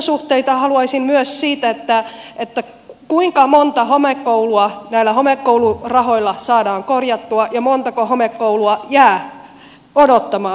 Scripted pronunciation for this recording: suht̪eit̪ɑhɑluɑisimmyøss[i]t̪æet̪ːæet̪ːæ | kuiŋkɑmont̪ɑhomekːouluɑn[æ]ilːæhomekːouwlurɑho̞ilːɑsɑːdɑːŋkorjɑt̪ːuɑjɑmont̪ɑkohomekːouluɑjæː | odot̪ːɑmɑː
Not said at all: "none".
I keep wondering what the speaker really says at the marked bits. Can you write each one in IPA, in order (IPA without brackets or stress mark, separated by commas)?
iː, æ